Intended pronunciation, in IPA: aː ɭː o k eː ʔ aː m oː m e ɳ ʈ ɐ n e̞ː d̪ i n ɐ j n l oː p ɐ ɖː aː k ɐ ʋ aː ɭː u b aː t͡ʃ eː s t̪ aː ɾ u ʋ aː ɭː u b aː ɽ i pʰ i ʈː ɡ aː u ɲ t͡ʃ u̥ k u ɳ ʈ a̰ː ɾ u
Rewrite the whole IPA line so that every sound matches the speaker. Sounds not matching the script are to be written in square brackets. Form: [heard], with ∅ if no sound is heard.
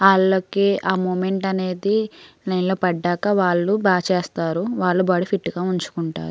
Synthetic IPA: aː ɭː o k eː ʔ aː m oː m e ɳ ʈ ɐ n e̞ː d̪ i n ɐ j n l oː p ɐ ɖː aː k ɐ ʋ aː ɭː u b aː t͡ʃ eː s t̪ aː ɾ u ʋ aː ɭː u b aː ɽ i pʰ i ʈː ɡ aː u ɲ t͡ʃ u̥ k u ɳ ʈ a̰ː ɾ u